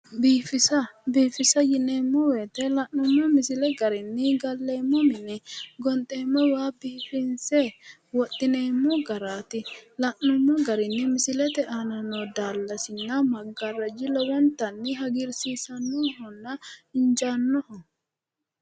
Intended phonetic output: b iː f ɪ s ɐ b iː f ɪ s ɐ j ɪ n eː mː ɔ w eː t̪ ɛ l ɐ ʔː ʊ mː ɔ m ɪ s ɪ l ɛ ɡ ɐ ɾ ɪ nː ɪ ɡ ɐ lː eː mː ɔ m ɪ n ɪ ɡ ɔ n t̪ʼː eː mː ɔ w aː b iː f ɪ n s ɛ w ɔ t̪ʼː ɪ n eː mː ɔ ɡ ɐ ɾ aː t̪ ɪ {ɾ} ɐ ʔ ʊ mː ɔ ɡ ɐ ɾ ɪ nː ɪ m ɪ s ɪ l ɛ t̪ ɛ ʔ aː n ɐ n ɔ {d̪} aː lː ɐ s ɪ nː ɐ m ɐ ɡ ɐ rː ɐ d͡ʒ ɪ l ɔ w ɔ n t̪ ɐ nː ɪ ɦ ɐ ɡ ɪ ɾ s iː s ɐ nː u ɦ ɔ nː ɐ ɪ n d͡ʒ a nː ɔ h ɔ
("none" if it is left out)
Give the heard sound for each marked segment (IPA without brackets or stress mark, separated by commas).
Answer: l, d̪